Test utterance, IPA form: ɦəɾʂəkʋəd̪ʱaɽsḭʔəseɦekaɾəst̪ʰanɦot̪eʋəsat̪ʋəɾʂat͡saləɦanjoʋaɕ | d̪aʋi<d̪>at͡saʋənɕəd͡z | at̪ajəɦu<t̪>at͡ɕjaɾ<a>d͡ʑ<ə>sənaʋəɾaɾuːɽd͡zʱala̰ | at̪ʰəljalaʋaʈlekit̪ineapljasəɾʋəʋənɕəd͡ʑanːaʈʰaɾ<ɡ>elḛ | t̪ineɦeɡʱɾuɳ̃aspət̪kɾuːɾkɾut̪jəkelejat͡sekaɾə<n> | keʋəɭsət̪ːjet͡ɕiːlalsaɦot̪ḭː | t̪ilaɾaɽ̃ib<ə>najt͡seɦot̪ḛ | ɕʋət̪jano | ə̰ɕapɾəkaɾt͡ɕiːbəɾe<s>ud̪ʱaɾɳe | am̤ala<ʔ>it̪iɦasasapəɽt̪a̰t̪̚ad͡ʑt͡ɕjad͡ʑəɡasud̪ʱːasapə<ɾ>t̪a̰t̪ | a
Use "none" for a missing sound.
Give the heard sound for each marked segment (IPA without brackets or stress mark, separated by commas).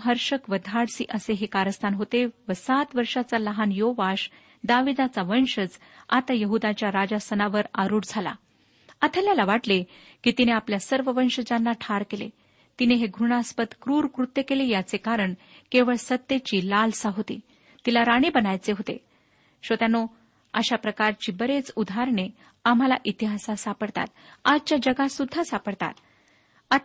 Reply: d̪, d̪, a, a, k, ɳ, ə, t͡s, ʔ, ɽ